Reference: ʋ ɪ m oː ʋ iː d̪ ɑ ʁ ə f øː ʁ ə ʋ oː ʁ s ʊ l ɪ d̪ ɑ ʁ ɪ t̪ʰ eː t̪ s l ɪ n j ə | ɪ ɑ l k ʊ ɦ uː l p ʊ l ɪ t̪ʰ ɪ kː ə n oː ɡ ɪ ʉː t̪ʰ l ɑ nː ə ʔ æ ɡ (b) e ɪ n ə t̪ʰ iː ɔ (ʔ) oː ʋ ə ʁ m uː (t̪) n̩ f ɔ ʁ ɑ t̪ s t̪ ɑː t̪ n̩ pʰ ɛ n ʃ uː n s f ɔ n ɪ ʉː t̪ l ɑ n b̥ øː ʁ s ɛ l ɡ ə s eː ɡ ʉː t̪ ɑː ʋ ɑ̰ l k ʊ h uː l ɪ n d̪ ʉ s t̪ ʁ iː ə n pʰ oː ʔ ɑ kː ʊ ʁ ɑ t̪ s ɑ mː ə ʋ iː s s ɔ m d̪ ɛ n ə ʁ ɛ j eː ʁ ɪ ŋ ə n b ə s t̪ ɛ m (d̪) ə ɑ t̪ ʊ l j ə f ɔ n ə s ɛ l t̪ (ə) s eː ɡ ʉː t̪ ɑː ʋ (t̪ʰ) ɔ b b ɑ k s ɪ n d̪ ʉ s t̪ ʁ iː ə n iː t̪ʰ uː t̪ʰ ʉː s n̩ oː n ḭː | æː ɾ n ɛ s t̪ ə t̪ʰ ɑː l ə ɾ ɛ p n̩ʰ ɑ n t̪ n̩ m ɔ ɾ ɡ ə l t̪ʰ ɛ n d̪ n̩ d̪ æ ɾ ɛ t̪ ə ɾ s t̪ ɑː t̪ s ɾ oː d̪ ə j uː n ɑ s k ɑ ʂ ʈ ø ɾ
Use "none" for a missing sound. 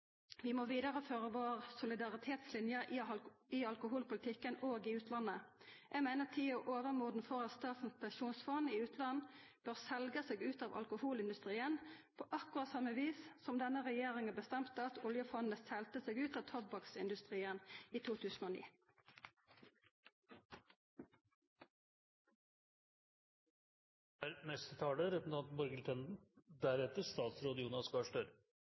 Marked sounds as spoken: m, ʔ, d̪, t̪, ə, t̪ʰ

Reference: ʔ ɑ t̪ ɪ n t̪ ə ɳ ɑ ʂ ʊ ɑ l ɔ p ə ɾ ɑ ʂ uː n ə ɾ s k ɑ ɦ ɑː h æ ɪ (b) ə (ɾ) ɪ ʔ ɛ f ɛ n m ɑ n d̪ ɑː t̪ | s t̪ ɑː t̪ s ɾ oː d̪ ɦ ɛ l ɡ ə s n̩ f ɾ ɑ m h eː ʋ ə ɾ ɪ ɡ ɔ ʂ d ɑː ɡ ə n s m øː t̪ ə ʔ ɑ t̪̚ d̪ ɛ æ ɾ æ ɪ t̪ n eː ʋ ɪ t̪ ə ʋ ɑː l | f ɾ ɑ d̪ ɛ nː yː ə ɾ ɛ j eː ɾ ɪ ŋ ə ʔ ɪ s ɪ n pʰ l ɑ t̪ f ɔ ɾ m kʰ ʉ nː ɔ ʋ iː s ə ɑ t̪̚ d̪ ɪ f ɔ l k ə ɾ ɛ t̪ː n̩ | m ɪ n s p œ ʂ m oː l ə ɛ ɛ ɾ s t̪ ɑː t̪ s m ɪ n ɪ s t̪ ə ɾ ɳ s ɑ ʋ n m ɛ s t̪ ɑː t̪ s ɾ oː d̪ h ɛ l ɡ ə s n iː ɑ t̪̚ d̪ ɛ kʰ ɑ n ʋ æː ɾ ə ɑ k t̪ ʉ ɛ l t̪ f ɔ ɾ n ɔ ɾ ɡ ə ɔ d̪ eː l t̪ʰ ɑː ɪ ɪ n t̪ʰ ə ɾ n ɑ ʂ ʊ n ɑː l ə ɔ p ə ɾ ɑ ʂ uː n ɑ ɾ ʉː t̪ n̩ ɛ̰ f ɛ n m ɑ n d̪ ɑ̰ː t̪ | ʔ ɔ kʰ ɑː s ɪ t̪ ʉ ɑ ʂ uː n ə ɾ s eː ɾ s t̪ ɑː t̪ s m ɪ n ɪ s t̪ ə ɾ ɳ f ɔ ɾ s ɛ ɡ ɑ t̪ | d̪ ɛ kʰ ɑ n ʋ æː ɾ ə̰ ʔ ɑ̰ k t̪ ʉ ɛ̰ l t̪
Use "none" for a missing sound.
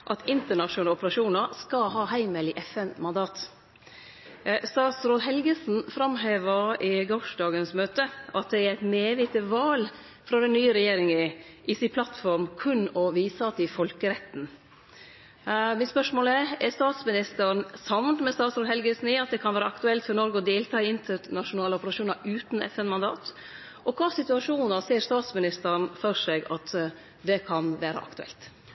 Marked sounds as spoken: m, l

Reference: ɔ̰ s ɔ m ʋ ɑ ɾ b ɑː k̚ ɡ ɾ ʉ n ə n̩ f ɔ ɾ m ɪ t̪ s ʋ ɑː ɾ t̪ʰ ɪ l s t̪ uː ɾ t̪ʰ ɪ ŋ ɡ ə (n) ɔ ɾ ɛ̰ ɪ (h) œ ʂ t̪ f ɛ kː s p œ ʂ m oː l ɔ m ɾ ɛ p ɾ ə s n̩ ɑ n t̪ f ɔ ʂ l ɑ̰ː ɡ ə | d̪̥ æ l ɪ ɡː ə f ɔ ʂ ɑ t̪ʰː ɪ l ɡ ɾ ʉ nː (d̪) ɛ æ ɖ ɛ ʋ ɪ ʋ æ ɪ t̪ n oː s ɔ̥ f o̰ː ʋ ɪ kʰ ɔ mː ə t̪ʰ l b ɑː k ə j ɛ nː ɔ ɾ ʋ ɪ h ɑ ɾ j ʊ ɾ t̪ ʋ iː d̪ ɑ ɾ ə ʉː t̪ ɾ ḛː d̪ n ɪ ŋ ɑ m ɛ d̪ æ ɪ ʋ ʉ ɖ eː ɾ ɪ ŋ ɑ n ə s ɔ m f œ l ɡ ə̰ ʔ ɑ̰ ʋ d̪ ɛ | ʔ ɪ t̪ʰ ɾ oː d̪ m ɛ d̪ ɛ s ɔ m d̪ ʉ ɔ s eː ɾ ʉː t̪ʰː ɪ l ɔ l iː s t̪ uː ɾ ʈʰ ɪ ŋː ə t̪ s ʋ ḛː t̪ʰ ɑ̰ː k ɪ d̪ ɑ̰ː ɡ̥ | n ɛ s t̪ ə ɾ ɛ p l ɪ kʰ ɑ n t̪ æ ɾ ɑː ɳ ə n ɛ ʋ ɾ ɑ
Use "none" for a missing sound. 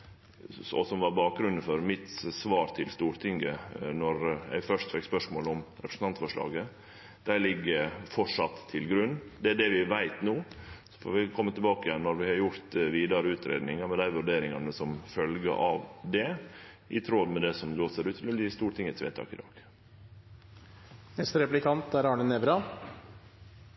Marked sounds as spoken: n, f, d̪

